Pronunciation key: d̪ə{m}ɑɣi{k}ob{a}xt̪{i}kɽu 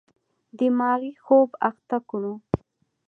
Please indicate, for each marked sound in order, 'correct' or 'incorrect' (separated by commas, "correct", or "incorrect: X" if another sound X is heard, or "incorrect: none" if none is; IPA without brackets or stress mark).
correct, incorrect: x, correct, incorrect: a